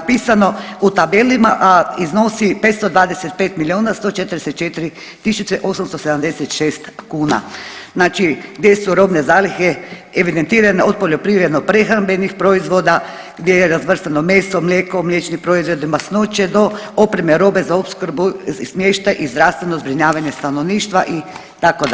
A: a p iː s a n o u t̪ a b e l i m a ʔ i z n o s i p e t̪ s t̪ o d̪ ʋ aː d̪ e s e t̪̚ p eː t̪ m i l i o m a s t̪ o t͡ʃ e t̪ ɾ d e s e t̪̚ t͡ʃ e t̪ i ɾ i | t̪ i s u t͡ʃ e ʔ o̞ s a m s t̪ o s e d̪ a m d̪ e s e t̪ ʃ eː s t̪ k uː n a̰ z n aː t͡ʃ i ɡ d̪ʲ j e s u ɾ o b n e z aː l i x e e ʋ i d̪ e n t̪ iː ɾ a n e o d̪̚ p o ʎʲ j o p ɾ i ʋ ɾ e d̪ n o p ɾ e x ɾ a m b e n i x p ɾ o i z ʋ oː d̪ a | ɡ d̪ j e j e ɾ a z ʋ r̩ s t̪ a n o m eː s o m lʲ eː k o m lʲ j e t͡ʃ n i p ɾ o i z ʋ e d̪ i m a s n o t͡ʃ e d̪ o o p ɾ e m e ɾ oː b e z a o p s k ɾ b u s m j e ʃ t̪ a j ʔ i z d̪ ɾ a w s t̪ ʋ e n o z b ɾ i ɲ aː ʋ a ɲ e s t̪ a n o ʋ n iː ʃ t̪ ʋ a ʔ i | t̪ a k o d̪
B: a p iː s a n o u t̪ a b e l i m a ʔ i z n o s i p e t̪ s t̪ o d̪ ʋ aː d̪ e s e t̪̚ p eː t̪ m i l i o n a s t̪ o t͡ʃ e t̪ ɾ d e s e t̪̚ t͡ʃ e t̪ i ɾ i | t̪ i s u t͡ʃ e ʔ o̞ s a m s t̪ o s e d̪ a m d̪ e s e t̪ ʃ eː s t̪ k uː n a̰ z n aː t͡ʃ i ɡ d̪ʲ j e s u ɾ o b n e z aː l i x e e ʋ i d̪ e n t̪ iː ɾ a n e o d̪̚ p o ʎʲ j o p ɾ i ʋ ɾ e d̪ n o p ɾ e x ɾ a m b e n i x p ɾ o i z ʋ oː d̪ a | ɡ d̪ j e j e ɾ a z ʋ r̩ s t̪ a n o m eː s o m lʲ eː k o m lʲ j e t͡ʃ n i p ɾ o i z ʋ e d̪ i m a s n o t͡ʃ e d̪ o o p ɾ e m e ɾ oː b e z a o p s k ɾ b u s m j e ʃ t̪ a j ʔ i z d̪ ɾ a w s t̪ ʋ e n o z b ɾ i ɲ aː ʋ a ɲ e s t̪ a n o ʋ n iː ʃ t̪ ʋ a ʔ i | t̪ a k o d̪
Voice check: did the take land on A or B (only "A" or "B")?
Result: B